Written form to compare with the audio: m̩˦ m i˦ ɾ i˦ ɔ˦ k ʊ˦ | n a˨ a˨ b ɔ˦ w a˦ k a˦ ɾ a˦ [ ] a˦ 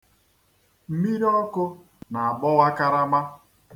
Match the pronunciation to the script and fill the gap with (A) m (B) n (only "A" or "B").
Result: A